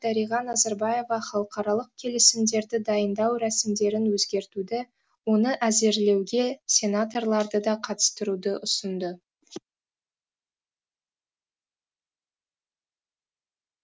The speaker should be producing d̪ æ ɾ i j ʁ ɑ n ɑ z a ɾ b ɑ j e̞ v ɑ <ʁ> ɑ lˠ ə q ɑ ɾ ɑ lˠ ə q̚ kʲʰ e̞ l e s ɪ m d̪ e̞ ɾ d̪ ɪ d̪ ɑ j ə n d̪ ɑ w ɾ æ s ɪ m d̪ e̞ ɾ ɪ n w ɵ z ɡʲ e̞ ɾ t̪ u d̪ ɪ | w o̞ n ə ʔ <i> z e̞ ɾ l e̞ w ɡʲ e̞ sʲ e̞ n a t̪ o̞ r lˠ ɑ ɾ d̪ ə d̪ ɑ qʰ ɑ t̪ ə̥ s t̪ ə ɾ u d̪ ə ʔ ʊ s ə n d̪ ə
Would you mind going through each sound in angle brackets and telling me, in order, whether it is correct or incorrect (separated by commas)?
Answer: incorrect, incorrect